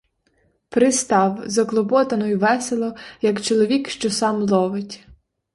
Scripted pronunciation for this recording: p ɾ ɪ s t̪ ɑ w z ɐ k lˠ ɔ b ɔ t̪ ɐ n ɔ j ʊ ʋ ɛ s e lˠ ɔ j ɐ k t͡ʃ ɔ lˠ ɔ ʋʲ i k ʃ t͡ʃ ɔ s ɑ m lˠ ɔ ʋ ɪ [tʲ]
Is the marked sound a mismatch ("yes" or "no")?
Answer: no